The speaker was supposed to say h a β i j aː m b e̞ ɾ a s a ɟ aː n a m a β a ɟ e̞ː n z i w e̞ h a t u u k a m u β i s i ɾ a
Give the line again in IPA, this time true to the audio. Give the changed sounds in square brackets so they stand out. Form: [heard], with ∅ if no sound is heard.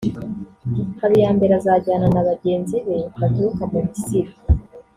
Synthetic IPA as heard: h a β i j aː m b e̞ ɾ a [z] a ɟ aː n a [n] a β a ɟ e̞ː n z i [β] e̞ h a t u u k a m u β i s i ɾ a